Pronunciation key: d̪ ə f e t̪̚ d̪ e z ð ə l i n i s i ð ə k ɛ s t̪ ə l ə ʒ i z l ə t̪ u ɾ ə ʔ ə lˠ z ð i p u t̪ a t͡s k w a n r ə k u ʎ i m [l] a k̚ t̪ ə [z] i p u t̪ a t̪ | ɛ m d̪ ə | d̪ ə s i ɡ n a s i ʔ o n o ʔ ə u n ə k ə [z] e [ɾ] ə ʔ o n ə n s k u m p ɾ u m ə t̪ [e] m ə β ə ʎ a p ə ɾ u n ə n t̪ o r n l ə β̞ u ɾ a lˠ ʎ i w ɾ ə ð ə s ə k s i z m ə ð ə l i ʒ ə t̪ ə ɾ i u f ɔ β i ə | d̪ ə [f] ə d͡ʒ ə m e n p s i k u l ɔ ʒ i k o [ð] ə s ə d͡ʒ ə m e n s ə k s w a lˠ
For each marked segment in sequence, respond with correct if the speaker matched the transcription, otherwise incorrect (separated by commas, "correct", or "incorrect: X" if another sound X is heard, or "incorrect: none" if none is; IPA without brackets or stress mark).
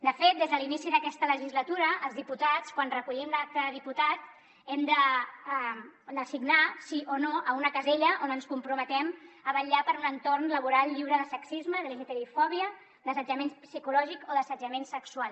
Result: correct, incorrect: ð, correct, incorrect: ʎ, incorrect: ɛ, incorrect: s, correct